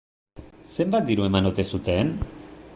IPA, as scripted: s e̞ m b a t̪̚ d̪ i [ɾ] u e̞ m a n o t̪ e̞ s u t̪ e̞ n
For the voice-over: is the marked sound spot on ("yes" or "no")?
yes